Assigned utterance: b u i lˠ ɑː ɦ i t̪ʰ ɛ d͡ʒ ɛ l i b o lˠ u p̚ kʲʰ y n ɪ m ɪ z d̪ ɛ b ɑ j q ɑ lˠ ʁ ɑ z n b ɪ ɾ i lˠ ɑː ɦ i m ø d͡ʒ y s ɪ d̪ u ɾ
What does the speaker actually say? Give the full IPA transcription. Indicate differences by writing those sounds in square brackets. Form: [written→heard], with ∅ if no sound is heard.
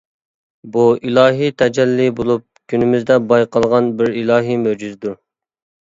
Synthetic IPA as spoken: b u i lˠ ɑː ɦ i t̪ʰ ɛ d͡ʒ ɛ [l→lː] i b o lˠ u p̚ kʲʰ y n ɪ m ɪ z d̪ ɛ b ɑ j q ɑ lˠ ʁ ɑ [z→∅] n b ɪ ɾ i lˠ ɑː ɦ i m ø d͡ʒ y [s→z] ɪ d̪ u ɾ